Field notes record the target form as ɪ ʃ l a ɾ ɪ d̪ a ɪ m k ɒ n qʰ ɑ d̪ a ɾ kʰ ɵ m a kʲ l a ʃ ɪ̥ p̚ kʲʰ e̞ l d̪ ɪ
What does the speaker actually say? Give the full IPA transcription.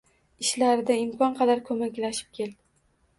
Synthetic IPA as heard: ɪ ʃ l a ɾ ɪ d̪ a ɪ m k ɒ n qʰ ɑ d̪ a ɾ kʰ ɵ m a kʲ l a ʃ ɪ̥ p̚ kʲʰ e̞ l d̪ ɪ

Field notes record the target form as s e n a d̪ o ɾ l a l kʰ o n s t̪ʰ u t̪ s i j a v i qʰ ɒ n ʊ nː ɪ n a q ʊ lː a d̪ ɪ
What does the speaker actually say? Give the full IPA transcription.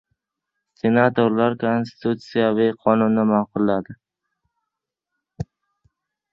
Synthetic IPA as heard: s e n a t̪ o ɾ l a ɾ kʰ o n s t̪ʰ u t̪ s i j a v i qʰ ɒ n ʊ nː ɪ m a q ʊ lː a d̪ ɪ

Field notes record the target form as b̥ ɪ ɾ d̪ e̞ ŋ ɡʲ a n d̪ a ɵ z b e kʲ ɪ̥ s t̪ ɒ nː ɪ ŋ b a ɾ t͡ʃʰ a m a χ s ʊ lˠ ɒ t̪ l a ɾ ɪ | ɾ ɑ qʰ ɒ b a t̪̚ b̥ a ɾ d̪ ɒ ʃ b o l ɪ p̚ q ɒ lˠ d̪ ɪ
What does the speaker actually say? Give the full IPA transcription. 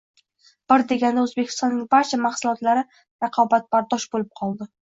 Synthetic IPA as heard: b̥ ɪ ɾ d̪ e̞ ɡʲ a n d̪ a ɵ z b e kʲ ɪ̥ s t̪ ɒ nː ɪ ŋ b a ɾ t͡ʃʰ a m a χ s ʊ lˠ ɒ t̪ l a ɾ ɪ | ɾ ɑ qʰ ɒ b a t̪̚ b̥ a ɾ d̪ ɒ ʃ b o l ɪ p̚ qʰ ɒ lˠ d̪ ɪ

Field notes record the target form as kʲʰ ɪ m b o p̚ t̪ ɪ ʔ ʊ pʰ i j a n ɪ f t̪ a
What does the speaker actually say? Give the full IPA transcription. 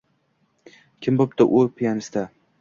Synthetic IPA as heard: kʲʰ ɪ m b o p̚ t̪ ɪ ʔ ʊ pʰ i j a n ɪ s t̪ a

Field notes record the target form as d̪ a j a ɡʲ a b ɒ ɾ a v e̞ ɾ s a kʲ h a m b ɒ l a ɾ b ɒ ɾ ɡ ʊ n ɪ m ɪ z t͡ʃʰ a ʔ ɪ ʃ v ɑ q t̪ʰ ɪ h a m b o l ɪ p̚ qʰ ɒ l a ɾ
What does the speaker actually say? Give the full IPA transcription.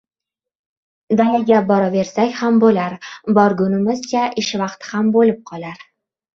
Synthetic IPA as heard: d̪ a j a ɡʲ a b ɒ ɾ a v e̞ ɾ s a kʲ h a m b o l a ɾ b ɒ ɾ ɡ ʊ n ɪ m ɪ z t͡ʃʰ a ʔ ɪ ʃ v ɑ q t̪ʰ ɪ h a m b o l ɪ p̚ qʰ ɒ l a ɾ

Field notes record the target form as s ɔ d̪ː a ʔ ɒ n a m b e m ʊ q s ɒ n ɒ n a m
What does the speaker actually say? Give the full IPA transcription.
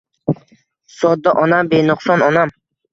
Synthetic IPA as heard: s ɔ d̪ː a ʔ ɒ n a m b e n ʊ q s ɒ n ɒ n a m

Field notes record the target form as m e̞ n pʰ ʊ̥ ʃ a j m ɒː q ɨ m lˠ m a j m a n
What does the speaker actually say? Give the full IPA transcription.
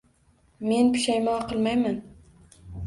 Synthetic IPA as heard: m e̞ n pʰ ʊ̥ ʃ a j m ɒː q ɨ lˠ m a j m a n

